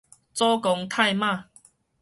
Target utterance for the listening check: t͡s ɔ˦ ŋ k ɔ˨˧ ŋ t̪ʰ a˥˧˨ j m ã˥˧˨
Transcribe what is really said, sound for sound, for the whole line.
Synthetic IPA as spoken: t͡s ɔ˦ k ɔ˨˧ ŋ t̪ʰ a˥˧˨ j m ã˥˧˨